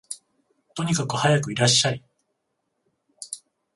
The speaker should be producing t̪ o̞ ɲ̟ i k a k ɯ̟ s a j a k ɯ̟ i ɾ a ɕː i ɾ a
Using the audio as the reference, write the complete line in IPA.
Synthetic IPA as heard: t̪ o̞ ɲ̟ i k a k ɯ̟ h a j a k ɯ̟ i ɾ a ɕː a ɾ i